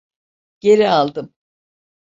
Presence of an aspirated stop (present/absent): absent